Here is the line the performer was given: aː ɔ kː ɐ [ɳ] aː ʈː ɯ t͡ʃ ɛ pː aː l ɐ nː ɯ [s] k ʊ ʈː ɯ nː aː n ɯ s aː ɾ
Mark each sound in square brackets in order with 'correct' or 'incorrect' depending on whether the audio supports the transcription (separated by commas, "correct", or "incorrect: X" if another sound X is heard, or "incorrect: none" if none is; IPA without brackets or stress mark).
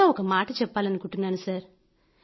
incorrect: m, incorrect: none